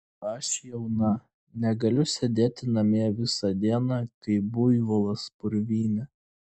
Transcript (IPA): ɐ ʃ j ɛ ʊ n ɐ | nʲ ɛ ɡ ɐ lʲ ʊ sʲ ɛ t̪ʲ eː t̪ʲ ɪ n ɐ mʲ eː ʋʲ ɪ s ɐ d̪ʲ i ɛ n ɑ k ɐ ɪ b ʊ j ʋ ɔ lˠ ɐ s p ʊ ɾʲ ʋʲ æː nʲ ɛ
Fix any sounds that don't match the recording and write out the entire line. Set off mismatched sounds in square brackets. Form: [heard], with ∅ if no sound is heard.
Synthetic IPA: ɐ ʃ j ɛ ʊ n ɐ | nʲ ɛ ɡ ɐ lʲ ʊ sʲ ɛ [d̪ʲ] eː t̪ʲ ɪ n ɐ mʲ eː ʋʲ ɪ s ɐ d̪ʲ i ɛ n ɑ k ɐ ɪ b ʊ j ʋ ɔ lˠ ɐ s p ʊ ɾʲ ʋʲ [iː] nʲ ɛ

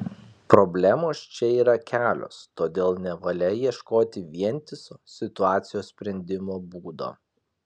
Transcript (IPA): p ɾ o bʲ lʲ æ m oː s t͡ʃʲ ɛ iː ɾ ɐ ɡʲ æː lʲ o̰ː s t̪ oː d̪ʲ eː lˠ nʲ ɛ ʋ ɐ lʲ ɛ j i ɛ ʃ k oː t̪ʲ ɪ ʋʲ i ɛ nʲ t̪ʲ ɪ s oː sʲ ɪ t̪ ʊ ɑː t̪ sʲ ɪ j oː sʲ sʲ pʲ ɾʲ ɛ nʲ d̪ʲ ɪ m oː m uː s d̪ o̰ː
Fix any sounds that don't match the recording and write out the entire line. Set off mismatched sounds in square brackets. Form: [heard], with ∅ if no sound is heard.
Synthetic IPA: p ɾ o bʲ lʲ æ m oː s t͡ʃʲ ɛ iː ɾ ɐ [kʲ] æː lʲ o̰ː s t̪ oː d̪ʲ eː lˠ nʲ ɛ ʋ ɐ lʲ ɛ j i ɛ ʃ k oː t̪ʲ ɪ ʋʲ i ɛ nʲ t̪ʲ ɪ s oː sʲ ɪ t̪ ʊ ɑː t̪ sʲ ɪ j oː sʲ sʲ pʲ ɾʲ ɛ nʲ d̪ʲ ɪ m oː [b] uː [∅] d̪ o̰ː

